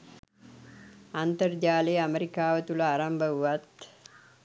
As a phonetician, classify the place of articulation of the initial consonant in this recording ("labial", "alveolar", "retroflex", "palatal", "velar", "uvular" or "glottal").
alveolar